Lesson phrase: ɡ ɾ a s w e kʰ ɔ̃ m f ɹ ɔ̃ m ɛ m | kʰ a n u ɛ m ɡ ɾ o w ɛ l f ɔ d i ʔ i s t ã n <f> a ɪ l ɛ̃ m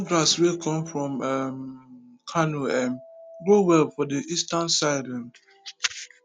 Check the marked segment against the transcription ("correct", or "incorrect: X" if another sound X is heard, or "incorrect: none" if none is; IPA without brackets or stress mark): incorrect: s